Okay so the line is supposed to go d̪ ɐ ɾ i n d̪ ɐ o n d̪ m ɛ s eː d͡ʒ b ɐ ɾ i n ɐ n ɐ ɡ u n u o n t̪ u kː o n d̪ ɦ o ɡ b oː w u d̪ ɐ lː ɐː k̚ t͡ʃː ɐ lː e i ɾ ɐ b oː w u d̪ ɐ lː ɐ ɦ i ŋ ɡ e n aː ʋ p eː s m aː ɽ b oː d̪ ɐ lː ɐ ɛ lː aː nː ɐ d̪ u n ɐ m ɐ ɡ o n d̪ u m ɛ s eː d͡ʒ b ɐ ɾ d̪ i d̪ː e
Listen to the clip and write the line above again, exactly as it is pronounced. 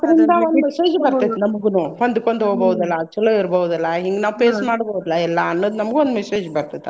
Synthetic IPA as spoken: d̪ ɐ ɾ i n d̪ ɐ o n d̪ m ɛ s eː d͡ʒ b ɐ ɾ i n ɐ m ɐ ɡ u n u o n d̪ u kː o n d̪ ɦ o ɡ b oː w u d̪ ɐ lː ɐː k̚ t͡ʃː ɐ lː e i ɾ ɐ b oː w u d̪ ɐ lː ɐ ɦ i ŋ ɡ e n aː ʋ p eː s m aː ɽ b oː d̪ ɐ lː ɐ ɛ lː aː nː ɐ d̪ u n ɐ m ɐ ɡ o n d̪ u m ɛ s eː d͡ʒ b ɐ ɾ t̪ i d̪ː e